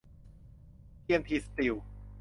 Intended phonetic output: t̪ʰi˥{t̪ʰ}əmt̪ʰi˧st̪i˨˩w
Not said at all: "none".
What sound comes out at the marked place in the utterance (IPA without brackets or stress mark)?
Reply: none